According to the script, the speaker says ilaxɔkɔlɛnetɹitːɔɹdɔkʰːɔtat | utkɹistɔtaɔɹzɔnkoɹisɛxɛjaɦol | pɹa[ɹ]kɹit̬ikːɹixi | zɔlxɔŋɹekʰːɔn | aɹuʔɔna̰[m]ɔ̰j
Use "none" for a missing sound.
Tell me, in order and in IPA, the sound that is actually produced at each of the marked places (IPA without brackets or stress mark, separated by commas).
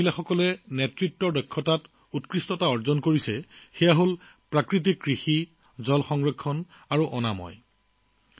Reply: none, m